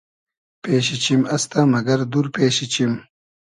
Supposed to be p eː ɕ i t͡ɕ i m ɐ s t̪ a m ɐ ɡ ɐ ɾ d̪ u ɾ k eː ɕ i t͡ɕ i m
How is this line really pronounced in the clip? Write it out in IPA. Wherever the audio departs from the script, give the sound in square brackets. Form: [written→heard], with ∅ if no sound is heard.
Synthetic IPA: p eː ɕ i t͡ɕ i m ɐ s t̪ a m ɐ ɡ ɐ ɾ d̪ u ɾ [k→p] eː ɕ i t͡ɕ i m